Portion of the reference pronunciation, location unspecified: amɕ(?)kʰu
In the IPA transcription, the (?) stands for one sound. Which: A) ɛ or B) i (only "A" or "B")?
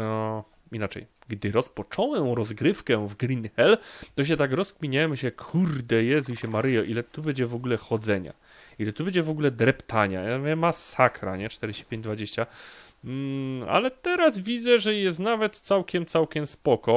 A